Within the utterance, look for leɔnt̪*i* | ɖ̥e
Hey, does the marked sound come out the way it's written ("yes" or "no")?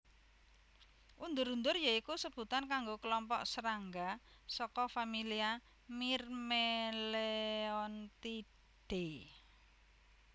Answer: yes